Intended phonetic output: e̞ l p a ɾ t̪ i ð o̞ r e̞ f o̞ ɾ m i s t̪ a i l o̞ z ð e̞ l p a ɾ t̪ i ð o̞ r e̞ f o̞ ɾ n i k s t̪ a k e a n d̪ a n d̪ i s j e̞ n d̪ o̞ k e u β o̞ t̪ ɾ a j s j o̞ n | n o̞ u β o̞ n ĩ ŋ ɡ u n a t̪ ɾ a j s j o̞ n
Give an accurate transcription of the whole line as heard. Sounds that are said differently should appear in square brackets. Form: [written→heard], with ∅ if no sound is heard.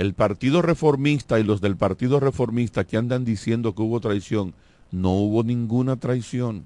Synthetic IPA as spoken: e̞ l p a ɾ t̪ i ð o̞ r e̞ f o̞ ɾ m i s t̪ a i l o̞ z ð e̞ l p a ɾ t̪ i ð o̞ r e̞ f o̞ ɾ [n→m] i [k→∅] s t̪ a k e a n d̪ a n d̪ i s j e̞ n d̪ o̞ k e u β o̞ t̪ ɾ a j s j o̞ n | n o̞ u β o̞ n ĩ ŋ ɡ u n a t̪ ɾ a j s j o̞ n